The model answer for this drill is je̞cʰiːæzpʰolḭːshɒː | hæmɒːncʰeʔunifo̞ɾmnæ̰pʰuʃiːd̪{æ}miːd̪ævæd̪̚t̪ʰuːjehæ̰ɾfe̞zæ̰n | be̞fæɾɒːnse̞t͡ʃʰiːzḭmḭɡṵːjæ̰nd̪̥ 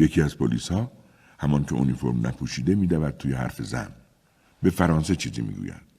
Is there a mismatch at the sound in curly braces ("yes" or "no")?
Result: yes